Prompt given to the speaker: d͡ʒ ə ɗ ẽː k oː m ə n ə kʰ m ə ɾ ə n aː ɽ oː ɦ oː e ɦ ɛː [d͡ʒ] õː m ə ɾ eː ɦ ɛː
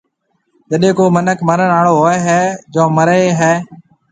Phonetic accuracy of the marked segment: correct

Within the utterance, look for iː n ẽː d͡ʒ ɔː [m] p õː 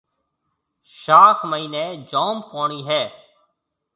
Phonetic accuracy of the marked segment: correct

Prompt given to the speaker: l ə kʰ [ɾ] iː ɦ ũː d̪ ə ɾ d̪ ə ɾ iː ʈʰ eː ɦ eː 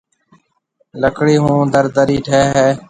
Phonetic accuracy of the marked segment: incorrect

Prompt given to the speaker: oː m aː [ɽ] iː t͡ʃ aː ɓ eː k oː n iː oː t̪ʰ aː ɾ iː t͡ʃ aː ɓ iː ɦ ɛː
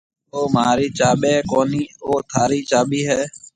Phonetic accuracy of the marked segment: incorrect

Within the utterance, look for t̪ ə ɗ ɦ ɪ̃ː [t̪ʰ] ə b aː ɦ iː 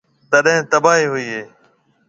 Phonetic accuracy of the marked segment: incorrect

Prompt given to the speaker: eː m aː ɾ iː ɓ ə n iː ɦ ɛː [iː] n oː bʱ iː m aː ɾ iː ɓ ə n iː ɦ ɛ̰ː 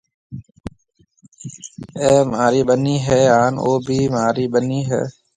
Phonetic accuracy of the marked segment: incorrect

